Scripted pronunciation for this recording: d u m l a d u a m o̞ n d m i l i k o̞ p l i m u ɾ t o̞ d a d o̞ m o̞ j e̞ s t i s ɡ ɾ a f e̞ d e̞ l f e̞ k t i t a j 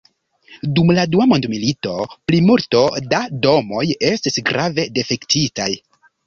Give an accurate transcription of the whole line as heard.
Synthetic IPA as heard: d u m l a d u a m o̞ n d m i l i t o̞ p l i m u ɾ t o̞ d a d o̞ m o̞ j e̞ s t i s ɡ ɾ a v e̞ d e̞ f e̞ k t i t a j